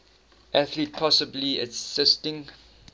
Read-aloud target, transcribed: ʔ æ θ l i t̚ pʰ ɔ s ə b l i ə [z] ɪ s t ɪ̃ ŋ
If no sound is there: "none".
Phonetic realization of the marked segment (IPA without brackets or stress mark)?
s